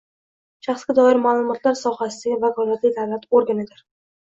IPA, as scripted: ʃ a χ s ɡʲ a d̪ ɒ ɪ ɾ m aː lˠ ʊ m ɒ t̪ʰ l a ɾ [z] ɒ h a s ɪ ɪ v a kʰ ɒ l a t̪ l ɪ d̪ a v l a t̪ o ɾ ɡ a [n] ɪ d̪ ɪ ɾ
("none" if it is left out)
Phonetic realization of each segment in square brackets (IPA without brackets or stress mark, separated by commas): s, n